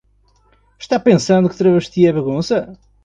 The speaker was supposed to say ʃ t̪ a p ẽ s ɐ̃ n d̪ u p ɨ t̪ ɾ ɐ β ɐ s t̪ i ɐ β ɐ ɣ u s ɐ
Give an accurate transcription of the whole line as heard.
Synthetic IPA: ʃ t̪ a p ẽ s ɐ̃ n d̪ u k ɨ t̪ ɾ ɐ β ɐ ʃ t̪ i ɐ β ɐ ɣ ũ s ɐ